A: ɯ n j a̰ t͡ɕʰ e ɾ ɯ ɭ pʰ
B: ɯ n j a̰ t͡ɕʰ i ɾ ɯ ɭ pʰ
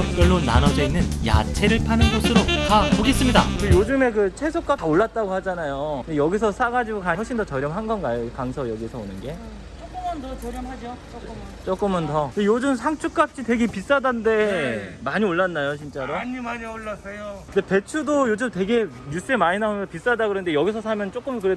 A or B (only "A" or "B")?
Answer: A